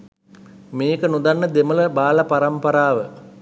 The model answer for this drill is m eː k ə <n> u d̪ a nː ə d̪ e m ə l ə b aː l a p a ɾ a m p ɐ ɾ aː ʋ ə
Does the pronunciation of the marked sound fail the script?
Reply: no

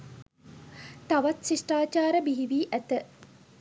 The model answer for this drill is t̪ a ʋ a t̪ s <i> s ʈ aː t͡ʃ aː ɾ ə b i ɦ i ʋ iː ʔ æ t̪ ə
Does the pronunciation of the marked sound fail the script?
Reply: no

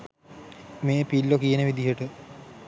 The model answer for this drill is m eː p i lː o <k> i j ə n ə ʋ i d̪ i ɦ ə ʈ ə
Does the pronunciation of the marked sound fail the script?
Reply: no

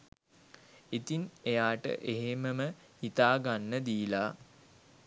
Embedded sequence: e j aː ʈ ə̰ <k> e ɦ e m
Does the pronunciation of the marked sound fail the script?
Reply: yes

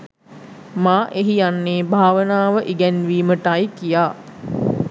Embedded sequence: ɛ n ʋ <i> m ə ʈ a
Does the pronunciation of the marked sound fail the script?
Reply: yes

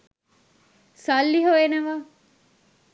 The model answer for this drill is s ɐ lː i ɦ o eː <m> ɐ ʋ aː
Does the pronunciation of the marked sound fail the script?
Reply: yes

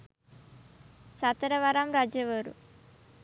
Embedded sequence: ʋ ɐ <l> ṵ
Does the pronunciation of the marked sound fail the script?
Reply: yes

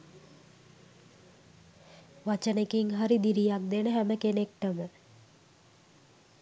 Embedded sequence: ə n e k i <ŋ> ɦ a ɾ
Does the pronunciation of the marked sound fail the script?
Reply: no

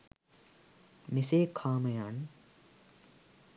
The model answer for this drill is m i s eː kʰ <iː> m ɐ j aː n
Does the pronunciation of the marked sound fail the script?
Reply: yes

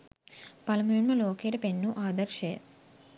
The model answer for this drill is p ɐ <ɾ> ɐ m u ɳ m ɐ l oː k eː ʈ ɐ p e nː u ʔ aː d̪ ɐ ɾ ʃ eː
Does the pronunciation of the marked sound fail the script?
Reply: yes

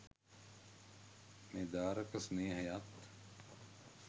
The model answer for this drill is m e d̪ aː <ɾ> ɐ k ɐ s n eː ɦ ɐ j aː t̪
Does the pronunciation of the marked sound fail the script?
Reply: no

